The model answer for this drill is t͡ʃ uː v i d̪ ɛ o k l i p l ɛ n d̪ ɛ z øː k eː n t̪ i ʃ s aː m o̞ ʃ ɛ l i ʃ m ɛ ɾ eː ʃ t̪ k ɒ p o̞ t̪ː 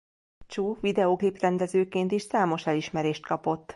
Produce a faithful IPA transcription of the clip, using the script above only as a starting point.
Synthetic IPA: t͡ʃ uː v i d̪ ɛ o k l i p r ɛ n d̪ ɛ z øː k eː n t̪ i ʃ s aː m o̞ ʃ ɛ l i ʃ m ɛ ɾ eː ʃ t̪ k ɒ p o̞ t̪ː